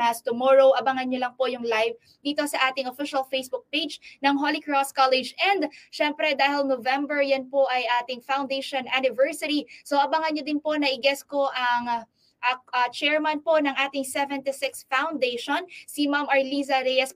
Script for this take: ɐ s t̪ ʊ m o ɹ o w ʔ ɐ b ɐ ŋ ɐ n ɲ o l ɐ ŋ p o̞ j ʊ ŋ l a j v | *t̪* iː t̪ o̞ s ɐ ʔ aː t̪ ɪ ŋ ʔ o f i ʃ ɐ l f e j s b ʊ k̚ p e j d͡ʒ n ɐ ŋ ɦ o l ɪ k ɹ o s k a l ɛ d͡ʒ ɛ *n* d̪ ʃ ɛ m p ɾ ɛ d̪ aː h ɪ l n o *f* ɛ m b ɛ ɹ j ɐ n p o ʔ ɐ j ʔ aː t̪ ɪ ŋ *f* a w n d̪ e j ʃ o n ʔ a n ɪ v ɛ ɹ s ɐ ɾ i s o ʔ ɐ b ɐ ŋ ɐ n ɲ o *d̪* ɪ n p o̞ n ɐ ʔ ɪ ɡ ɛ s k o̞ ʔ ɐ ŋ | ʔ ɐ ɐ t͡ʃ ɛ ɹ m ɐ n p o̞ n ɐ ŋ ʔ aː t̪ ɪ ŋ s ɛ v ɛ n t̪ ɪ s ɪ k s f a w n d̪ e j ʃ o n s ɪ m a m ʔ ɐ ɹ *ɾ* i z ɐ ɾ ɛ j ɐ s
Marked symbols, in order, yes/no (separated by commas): no, yes, no, yes, yes, no